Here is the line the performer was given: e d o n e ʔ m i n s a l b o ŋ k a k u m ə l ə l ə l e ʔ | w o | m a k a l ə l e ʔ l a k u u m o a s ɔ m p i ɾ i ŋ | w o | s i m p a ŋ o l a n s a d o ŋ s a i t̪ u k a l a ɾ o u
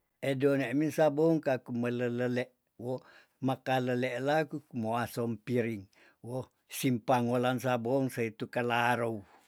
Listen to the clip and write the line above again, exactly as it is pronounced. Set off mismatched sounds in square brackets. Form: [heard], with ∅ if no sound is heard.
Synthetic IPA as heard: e d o n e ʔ m i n s a [∅] b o ŋ k a k u m ə l ə l ə l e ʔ | w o | m a k a l ə l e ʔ l a k u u m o a s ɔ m p i ɾ i ŋ | w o | s i m p a ŋ o l a n s a [b] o ŋ s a i t̪ u k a l a ɾ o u